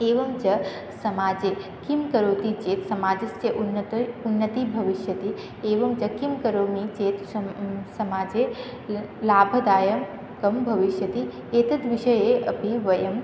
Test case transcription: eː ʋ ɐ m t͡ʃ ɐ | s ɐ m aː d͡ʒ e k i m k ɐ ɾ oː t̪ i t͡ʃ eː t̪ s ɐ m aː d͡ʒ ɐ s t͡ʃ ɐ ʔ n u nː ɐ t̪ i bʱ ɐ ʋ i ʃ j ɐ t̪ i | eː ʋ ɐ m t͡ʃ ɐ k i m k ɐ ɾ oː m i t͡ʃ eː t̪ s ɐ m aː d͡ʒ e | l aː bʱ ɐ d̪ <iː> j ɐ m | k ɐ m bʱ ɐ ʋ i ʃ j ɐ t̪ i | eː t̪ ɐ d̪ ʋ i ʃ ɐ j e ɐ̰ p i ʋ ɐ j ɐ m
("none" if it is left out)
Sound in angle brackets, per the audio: aː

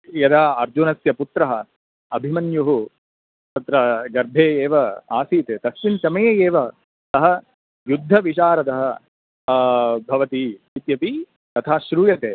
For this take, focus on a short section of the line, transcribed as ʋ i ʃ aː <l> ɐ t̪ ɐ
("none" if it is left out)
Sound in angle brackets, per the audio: ɾ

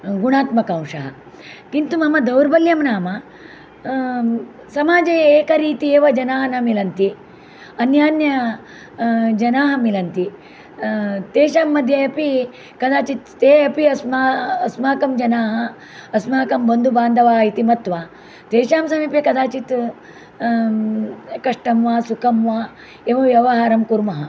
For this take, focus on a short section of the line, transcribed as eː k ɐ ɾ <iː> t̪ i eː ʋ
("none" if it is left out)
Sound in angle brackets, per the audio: iː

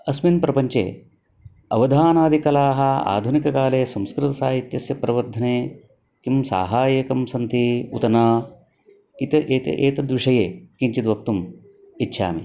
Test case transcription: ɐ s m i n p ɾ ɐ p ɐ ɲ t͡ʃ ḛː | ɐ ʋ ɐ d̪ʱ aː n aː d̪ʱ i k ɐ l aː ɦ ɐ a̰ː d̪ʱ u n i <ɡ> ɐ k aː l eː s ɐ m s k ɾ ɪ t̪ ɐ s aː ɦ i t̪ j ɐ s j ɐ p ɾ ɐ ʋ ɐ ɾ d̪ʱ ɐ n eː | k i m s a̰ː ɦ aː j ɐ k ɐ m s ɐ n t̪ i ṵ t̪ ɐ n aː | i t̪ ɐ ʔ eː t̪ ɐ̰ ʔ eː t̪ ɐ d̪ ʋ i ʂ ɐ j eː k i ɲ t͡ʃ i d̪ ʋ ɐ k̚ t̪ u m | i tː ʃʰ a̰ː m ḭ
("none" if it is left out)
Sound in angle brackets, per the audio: k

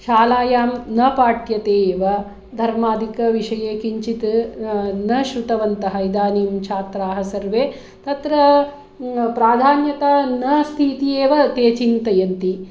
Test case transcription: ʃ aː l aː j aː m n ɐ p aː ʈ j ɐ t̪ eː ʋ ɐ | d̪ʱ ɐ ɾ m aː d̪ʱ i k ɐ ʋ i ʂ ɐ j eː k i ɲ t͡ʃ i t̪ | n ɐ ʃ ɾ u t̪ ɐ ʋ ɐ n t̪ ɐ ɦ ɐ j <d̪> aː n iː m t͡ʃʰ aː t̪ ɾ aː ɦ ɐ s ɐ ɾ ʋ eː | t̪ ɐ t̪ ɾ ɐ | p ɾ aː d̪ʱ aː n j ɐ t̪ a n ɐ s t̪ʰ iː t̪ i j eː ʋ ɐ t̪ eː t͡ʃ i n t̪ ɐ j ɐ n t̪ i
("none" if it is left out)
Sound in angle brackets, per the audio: d̪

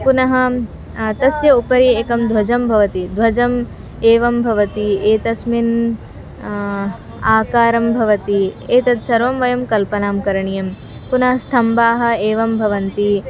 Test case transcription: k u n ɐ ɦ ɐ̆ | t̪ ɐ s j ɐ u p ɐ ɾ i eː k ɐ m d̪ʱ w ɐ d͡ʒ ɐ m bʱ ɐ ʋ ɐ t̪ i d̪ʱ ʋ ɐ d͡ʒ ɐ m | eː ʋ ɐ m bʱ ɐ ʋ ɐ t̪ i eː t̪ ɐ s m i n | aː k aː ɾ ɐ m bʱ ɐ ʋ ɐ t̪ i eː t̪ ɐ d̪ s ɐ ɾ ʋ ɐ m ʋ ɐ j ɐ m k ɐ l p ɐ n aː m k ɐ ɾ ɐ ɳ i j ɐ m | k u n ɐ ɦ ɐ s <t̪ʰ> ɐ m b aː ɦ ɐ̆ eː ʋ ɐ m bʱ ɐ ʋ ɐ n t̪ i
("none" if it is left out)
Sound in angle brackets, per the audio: t̪ʰ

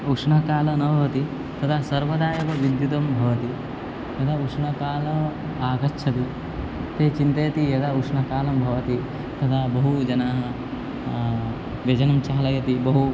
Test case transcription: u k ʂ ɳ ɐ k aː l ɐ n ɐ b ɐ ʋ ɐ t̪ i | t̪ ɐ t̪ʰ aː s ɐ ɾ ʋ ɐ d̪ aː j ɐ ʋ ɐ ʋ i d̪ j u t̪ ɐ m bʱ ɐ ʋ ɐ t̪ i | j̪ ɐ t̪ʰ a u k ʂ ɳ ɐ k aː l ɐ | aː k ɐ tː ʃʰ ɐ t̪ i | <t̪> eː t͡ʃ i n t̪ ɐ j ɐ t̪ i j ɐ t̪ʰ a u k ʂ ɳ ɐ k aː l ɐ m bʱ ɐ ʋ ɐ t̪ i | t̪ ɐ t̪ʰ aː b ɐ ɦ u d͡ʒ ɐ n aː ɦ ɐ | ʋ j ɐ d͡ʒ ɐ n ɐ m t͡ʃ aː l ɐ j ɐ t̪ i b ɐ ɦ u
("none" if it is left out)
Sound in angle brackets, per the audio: t̪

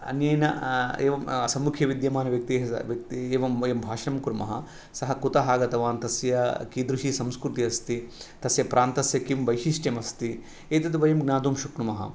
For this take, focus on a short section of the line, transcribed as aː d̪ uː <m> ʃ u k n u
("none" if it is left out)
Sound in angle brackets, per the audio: m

